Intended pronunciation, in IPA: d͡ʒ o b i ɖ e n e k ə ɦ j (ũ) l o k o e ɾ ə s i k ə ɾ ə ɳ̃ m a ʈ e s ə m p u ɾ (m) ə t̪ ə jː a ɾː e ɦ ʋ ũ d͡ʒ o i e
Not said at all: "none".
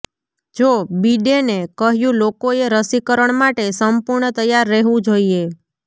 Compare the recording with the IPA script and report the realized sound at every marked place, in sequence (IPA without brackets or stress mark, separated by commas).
ũ, ɳ